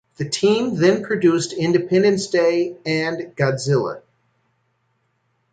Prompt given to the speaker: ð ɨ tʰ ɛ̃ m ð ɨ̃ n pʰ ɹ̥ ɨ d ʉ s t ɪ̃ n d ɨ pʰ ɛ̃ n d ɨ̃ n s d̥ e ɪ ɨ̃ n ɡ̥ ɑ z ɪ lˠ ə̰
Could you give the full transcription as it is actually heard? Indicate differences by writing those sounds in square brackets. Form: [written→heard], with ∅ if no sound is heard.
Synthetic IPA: ð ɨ tʰ [ɛ̃→ĩ] m ð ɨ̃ n pʰ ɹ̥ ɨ d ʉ s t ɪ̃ n d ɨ pʰ ɛ̃ n d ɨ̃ n s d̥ e ɪ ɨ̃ n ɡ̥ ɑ z ɪ lˠ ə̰